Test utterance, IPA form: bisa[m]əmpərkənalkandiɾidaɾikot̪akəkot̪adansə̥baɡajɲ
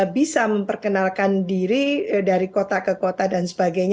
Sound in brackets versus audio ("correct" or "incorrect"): correct